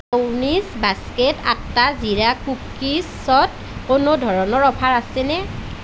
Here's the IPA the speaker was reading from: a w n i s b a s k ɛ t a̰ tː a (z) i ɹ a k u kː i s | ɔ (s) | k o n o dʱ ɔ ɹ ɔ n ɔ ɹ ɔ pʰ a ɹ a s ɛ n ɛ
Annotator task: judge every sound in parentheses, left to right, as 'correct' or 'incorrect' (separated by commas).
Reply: correct, incorrect